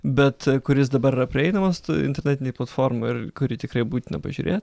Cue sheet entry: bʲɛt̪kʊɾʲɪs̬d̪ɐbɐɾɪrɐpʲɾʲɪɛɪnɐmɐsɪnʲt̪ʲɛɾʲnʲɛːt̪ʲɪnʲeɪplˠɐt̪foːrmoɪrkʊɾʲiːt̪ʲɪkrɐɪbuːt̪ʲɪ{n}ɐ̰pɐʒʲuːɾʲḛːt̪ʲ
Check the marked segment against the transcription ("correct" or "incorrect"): correct